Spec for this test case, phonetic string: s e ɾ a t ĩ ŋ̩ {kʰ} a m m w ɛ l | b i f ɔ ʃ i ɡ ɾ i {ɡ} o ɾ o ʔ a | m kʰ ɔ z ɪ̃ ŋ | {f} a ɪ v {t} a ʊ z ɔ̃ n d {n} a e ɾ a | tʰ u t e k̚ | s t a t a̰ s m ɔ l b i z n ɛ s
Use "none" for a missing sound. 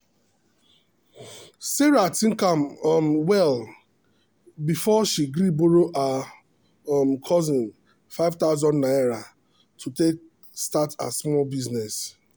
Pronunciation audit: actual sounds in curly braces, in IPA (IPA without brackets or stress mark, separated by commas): k, b, f, t, n